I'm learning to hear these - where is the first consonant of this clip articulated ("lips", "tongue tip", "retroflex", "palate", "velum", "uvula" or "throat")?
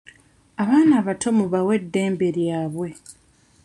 lips